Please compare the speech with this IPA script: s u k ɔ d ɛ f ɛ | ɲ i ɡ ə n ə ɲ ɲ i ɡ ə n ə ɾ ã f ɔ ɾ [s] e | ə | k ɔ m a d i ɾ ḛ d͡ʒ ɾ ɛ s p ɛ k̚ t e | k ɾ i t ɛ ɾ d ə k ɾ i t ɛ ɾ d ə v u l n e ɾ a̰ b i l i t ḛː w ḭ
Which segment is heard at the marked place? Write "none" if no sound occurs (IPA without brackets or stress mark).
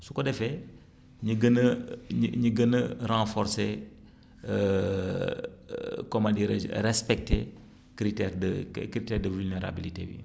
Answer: s